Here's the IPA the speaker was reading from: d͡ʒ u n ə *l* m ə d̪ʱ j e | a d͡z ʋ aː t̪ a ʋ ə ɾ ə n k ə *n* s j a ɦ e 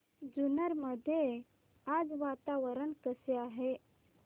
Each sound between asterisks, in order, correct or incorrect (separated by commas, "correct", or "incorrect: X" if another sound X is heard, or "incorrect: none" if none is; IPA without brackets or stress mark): incorrect: ɾ, incorrect: none